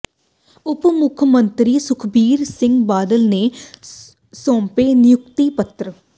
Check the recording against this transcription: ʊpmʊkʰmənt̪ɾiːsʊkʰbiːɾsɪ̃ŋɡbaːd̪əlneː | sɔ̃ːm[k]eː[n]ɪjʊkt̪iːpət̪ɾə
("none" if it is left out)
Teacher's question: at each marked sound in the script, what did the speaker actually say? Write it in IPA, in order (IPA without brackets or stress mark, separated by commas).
p, n